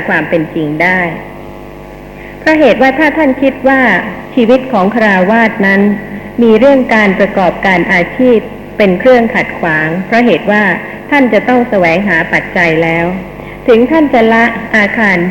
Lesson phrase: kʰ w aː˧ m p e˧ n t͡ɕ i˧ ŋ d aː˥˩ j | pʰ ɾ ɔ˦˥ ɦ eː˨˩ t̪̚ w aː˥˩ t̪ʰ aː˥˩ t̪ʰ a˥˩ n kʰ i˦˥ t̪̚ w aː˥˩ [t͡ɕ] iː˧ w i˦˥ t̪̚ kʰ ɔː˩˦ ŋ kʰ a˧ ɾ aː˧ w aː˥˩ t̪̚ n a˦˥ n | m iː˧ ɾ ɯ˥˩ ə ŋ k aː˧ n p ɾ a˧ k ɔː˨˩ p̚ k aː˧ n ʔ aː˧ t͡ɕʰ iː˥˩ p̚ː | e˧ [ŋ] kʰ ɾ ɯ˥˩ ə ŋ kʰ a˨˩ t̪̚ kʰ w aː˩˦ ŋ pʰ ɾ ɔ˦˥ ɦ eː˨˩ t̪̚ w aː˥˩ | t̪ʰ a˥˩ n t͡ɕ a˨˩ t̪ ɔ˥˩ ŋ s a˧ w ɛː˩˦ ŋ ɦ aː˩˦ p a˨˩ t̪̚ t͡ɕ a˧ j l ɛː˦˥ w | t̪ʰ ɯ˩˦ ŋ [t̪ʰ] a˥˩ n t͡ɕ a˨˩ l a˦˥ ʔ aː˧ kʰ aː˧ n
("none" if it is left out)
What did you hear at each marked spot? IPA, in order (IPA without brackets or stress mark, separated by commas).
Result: t͡ɕʰ, n, t̪ʰ